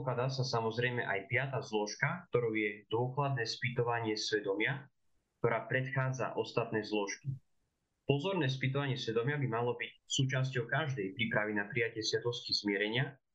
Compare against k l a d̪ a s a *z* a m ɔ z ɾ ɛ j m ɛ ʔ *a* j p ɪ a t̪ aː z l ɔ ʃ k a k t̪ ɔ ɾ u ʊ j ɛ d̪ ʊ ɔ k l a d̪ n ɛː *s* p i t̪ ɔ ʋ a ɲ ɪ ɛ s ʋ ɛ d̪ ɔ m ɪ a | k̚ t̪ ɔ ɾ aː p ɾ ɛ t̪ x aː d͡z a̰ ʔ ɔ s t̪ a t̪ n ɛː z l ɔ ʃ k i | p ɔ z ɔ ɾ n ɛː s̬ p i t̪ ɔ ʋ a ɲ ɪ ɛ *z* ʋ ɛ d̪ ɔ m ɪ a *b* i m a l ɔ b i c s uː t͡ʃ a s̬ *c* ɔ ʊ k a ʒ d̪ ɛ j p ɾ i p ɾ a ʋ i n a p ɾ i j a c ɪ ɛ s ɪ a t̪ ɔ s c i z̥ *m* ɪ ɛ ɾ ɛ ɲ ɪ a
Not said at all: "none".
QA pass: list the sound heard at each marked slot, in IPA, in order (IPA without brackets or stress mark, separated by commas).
s, a, s, s, b, c, m